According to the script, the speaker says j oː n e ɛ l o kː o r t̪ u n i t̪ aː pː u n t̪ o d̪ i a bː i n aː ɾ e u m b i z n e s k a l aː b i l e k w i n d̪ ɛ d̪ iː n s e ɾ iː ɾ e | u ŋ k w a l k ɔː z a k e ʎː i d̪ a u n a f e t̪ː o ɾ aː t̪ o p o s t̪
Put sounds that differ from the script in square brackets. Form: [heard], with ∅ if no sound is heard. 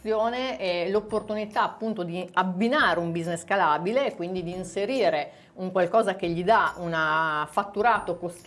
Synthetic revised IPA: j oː n e ɛ l o [pː] o r t̪ u n i t̪ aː pː u n t̪ o d̪ i a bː i n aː ɾ e u m b i z n e s k a l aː b i l e k w i n d̪ [i] d̪ iː n s e ɾ iː ɾ e | u ŋ k w a l k ɔː z a k e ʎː i d̪ a u n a f [a] t̪ː [u] ɾ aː t̪ o [k] o s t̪